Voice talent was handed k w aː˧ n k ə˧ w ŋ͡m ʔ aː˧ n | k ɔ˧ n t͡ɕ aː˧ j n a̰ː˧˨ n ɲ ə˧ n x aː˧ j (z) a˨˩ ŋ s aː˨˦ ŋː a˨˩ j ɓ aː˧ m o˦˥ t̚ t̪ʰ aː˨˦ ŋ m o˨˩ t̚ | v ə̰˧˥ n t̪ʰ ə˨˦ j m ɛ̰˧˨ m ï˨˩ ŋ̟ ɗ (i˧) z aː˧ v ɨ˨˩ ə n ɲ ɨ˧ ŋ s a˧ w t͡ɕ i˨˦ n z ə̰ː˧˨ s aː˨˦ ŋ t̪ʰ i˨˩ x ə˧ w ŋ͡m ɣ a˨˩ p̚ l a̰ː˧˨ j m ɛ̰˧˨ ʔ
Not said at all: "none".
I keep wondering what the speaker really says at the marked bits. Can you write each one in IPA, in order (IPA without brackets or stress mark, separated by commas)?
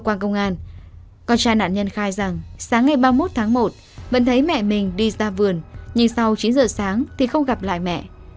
z, i˧